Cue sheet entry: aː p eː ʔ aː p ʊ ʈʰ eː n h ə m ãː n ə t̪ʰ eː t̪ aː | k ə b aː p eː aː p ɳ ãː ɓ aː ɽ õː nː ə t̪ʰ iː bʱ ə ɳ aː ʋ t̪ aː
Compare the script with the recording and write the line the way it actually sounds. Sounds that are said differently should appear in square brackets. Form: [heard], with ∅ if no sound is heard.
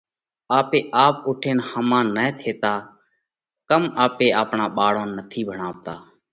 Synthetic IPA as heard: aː p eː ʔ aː p ʊ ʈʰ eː n h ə m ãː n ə t̪ʰ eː t̪ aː | k ə [m] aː p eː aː p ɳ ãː ɓ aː ɽ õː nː ə t̪ʰ iː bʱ ə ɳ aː ʋ t̪ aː